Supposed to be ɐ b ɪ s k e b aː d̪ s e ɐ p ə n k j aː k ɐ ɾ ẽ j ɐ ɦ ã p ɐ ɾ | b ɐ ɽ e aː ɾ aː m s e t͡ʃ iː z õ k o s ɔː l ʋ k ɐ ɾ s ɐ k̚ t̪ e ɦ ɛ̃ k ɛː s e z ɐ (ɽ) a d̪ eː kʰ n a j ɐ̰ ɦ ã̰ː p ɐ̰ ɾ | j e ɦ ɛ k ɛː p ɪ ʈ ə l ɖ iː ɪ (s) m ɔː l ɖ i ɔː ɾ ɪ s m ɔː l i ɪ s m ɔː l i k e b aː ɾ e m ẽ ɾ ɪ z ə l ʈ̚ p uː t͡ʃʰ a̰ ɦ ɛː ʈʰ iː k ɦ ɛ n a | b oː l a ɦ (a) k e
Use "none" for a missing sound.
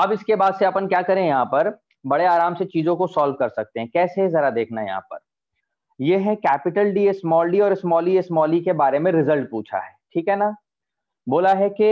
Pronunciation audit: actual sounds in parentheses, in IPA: ɾ, s, ɛ

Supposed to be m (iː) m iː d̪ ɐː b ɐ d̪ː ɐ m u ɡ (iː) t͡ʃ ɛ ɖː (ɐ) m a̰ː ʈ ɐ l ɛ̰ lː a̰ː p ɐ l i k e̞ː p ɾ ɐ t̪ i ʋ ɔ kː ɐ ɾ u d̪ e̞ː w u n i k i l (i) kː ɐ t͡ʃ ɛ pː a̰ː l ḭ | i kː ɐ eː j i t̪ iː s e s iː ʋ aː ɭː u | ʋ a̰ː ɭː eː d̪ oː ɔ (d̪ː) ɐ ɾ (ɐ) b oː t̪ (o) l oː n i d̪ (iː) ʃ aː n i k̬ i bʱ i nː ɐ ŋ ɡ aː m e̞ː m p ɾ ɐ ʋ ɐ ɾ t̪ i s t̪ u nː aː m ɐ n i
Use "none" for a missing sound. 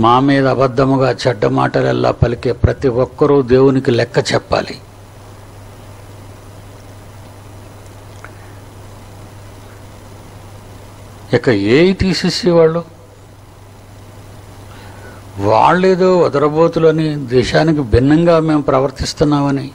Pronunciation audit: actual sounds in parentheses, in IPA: aː, aː, ɐ, ɛ, d̪, ɐ, u, ɛː

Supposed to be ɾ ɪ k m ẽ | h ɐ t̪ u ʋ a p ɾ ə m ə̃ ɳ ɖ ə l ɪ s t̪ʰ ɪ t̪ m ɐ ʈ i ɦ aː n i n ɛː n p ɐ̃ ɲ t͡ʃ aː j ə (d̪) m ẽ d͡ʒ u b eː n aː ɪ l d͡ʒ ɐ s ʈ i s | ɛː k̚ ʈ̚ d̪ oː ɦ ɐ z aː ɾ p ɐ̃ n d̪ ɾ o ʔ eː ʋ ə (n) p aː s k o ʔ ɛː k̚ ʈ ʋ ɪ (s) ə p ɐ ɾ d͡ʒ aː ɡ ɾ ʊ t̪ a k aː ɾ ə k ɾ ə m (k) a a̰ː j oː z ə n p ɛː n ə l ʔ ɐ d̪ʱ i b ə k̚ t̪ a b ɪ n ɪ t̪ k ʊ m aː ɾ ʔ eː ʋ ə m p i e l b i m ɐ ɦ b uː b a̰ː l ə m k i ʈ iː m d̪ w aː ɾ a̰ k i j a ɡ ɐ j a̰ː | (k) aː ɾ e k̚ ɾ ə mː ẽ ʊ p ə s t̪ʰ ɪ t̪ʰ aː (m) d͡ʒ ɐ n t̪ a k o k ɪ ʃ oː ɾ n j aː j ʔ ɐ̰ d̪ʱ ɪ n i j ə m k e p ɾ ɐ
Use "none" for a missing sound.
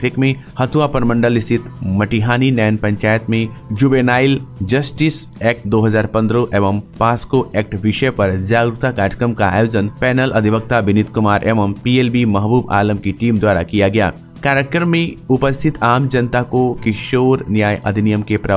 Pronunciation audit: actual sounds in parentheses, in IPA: t̪, m, ʃ, k, k, m

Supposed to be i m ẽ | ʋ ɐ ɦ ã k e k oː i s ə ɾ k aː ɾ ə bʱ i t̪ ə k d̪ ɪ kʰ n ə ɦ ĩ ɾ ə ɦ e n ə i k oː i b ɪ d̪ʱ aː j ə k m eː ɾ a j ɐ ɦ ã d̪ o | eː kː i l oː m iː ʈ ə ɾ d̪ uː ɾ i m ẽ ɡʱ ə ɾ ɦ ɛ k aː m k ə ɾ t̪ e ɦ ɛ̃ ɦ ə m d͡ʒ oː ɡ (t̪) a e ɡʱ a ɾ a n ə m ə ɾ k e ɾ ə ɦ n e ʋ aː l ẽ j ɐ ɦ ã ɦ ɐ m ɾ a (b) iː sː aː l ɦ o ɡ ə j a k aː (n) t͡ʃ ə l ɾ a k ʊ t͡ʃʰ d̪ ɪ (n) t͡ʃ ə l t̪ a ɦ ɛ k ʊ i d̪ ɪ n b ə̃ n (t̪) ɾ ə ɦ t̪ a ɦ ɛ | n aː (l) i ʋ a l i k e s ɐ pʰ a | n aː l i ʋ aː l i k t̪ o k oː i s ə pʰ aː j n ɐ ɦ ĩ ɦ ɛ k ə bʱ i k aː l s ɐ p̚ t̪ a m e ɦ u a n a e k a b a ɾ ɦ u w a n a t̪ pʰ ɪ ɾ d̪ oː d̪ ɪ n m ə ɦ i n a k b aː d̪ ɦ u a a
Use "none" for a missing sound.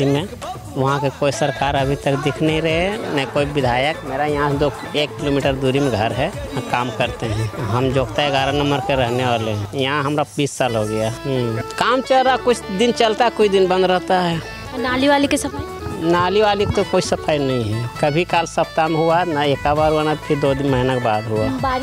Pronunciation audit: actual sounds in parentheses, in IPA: t̪, b, m, n, d̪, l

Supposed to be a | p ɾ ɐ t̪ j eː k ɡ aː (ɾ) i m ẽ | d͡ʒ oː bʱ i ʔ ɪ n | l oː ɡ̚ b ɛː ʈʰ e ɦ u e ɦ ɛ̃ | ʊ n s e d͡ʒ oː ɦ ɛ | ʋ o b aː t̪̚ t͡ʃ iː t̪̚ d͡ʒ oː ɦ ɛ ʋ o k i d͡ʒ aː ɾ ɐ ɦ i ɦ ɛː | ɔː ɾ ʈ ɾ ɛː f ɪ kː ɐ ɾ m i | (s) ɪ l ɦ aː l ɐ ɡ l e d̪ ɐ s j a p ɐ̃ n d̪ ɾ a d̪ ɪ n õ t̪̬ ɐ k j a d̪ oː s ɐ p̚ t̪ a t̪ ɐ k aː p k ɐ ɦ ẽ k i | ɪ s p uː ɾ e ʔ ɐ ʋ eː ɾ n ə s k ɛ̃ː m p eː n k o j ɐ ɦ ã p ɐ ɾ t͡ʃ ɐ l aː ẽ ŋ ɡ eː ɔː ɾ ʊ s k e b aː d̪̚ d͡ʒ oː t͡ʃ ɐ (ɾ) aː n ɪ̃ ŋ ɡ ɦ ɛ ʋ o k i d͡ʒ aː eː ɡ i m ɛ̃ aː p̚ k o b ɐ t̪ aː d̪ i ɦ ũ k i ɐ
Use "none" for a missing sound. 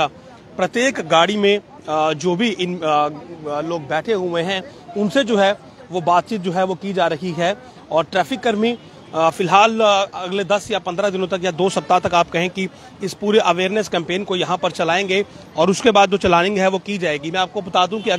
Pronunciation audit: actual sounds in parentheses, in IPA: ɽ, f, l

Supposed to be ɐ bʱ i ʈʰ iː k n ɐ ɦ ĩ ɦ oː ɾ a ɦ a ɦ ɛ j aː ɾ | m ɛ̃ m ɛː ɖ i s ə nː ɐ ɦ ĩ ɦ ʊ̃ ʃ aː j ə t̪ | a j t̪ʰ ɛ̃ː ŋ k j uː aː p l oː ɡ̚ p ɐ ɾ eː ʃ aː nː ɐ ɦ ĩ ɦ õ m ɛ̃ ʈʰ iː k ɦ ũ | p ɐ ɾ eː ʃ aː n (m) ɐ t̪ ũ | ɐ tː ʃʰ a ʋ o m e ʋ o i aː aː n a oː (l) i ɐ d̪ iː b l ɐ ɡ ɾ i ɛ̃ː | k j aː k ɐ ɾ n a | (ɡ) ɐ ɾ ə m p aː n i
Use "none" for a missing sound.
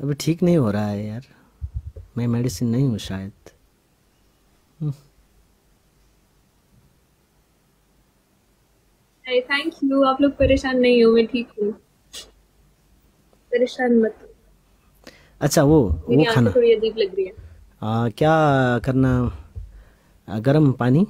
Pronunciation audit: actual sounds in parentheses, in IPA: m, ɽ, ɡ

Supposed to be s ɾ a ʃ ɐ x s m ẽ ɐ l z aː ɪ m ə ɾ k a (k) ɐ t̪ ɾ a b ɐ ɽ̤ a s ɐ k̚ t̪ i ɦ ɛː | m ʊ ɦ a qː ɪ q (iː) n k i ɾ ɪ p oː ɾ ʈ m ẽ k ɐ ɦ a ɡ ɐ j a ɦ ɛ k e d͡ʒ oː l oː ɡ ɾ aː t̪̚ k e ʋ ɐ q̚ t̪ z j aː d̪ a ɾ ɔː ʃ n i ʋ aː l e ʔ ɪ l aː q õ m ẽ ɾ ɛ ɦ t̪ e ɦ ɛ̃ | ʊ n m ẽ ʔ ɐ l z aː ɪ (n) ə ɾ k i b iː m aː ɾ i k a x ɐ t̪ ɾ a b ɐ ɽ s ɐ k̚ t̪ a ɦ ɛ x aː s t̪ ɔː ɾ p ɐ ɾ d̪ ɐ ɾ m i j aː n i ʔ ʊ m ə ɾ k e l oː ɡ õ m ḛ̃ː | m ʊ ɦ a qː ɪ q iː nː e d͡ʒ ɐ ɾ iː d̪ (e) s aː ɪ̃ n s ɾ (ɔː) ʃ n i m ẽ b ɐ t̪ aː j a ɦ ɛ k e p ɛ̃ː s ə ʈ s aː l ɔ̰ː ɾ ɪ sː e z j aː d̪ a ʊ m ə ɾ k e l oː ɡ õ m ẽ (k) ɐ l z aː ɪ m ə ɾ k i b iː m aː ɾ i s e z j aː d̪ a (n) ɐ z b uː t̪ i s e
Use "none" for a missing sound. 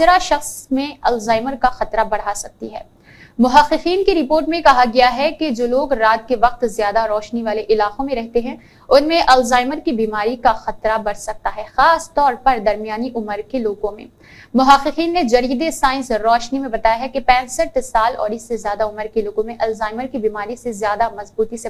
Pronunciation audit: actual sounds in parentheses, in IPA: x, iː, m, e, ɔː, ʔ, m

